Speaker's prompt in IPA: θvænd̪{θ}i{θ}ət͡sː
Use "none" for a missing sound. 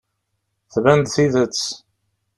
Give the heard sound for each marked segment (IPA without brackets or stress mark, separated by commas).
θ, ð